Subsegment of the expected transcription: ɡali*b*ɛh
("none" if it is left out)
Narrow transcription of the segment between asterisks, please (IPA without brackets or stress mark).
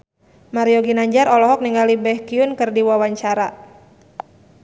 b